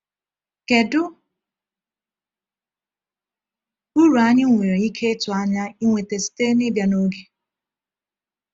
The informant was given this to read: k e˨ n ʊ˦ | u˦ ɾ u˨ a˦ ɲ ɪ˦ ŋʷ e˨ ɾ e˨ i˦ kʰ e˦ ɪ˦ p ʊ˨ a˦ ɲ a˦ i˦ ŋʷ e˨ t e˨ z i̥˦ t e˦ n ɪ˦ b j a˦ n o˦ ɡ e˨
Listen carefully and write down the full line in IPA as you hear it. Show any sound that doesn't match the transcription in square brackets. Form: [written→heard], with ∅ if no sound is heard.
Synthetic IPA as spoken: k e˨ [n→d] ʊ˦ | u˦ ɾ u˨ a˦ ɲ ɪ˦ ŋʷ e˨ ɾ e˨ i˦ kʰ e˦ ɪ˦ [p→t] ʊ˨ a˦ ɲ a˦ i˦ ŋʷ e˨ t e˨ [z→s] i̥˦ t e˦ n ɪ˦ b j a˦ n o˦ ɡ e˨